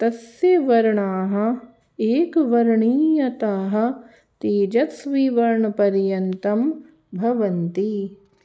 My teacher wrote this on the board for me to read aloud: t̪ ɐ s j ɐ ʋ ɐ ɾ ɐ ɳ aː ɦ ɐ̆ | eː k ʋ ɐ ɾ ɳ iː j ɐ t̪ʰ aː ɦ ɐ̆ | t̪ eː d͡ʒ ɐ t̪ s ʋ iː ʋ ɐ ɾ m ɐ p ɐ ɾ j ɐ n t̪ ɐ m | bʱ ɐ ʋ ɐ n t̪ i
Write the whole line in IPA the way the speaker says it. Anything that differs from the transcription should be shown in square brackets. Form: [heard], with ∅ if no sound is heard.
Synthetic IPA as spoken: t̪ ɐ s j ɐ ʋ ɐ ɾ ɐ ɳ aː ɦ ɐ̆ | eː k ʋ ɐ ɾ ɳ iː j ɐ [t̪] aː ɦ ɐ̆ | t̪ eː d͡ʒ ɐ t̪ s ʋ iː ʋ ɐ ɾ [ɳ] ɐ p ɐ ɾ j ɐ n t̪ ɐ m | bʱ ɐ ʋ ɐ n t̪ i

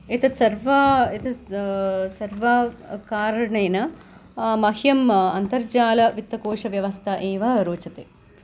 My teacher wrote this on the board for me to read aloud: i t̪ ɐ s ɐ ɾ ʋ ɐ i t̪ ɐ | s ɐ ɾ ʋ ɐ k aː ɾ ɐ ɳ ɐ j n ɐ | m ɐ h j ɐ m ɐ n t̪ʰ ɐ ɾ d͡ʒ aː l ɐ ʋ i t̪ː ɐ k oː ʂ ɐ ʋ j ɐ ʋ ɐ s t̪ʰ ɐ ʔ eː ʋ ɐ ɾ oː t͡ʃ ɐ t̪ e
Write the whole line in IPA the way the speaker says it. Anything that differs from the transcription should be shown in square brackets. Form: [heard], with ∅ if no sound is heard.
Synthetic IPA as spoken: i t̪ ɐ s ɐ ɾ ʋ ɐ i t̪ ɐ | s ɐ ɾ ʋ ɐ k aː ɾ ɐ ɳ ɐ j n ɐ | m ɐ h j ɐ m ɐ n [t̪] ɐ ɾ d͡ʒ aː l ɐ ʋ i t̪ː ɐ k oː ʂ ɐ ʋ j ɐ ʋ ɐ s t̪ʰ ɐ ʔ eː ʋ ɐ ɾ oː t͡ʃ ɐ t̪ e

